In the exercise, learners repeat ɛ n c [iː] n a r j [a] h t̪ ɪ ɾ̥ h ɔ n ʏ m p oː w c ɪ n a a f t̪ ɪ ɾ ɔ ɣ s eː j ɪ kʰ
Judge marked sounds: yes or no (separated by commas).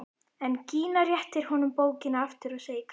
yes, no